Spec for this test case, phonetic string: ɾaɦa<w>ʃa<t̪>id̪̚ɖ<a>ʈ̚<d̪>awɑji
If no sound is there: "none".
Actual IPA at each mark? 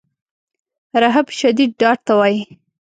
b, d̪, ɑ, t̪

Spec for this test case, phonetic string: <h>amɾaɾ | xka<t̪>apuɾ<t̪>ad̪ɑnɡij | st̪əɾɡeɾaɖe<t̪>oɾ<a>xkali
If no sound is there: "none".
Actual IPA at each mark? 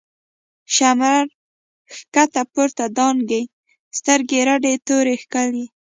ʃ, t̪, t̪, t̪, e

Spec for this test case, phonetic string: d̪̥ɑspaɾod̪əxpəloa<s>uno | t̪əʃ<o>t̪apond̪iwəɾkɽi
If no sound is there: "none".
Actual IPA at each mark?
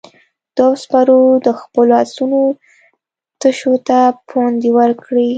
s, o

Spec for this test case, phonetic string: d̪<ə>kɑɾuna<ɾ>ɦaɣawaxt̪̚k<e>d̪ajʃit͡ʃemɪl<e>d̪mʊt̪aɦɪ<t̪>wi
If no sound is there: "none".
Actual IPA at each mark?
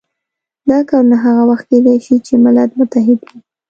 ɑ, none, e, a, d̪

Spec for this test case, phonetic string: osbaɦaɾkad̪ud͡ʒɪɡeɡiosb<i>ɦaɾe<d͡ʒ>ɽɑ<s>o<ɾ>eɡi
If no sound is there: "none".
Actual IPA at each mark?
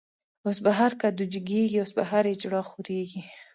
a, d͡ʒ, x, ɾ

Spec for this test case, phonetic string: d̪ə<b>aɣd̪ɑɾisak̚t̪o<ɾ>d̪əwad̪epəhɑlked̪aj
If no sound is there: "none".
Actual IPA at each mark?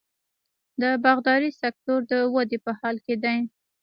b, ɾ

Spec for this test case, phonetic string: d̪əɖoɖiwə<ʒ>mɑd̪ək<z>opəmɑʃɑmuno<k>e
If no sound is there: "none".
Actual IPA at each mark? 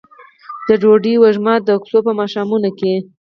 ʒ, s, k

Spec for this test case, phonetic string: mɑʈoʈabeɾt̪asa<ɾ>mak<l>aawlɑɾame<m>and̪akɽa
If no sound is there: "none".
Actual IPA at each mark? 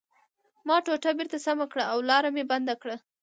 none, ɽ, b

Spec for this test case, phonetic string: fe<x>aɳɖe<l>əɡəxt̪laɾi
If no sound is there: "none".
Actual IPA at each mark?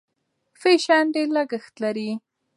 ʃ, l

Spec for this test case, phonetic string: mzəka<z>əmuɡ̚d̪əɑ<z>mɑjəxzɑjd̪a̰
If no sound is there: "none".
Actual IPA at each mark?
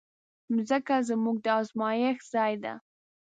z, z

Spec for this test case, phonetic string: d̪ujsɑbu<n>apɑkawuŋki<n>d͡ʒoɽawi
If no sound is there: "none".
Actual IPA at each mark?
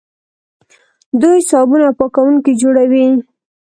n, none

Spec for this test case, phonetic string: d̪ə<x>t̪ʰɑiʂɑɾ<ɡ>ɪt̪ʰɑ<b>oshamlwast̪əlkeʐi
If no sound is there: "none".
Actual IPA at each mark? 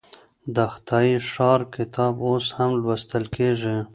x, k, b

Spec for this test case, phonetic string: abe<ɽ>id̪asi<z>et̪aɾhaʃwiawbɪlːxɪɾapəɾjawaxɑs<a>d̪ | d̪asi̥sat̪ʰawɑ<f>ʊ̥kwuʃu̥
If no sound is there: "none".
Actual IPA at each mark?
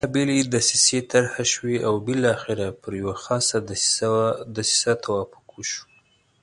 l, s, a, f

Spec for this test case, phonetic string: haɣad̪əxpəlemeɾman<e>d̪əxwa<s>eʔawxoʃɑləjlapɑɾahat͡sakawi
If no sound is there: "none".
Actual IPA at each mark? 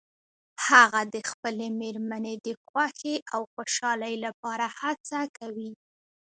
e, x

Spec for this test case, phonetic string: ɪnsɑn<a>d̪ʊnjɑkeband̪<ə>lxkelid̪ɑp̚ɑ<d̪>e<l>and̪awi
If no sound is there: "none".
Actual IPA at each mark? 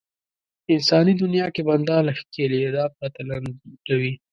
i, ɑ, t̪, l

